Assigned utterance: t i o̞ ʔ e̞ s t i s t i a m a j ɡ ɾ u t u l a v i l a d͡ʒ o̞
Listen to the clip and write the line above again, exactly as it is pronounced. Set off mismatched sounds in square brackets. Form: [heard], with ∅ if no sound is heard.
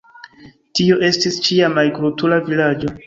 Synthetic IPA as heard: t i o̞ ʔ e̞ s t i s [t͡ʃ] i a m a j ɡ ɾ u t u l a v i l a d͡ʒ o̞